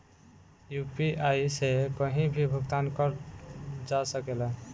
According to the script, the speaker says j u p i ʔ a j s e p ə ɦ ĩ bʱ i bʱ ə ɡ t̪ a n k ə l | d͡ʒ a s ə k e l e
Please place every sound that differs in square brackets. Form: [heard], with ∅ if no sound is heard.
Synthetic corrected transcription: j u p i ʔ a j s e [k] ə ɦ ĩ bʱ i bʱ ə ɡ t̪ a n k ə [ɾ] | d͡ʒ a s ə k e l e